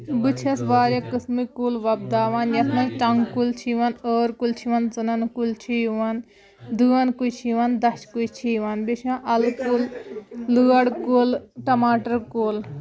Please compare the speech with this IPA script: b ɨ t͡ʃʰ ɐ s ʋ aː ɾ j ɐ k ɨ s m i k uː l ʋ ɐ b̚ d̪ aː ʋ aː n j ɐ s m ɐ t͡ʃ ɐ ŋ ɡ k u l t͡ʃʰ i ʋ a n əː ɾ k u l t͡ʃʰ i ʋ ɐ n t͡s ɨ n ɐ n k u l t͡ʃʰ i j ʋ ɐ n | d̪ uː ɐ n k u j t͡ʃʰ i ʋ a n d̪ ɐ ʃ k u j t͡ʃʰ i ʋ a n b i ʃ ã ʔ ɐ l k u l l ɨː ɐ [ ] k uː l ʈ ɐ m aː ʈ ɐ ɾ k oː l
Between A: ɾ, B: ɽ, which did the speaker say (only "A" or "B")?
B